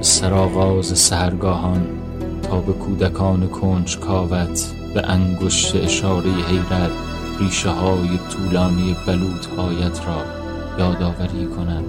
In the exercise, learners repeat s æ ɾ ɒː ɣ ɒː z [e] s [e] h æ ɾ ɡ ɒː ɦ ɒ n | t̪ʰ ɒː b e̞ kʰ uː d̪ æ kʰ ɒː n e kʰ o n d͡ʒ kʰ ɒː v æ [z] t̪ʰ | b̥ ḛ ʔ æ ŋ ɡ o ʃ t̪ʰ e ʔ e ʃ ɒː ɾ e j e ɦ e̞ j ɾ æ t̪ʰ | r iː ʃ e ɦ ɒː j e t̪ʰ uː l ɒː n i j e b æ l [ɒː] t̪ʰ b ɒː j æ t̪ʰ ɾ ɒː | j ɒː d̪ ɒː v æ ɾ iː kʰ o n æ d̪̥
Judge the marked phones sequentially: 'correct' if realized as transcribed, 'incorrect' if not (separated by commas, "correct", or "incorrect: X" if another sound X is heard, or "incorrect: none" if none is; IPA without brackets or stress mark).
correct, incorrect: æ, incorrect: none, incorrect: uː